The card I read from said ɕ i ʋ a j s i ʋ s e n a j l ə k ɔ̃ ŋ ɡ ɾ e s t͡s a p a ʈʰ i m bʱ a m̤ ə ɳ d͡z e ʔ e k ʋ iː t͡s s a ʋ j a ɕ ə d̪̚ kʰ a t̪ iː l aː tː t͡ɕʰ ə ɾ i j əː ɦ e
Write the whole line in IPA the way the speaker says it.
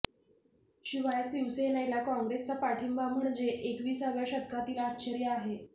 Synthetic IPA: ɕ i ʋ a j s i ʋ s e n a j l a k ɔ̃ ŋ ɡ ɾ e s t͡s a p a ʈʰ i m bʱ a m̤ ə ɳ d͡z e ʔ e k ʋ iː s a ʋ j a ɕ ə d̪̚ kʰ a t̪ iː l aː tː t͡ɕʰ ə ɾ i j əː ɦ e